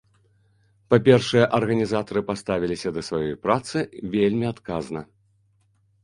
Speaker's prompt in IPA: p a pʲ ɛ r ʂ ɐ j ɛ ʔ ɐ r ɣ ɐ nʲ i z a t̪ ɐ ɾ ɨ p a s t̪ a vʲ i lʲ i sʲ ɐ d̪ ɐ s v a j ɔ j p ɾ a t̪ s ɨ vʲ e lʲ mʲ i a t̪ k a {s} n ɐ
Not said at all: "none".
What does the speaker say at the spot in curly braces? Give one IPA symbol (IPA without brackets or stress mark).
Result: z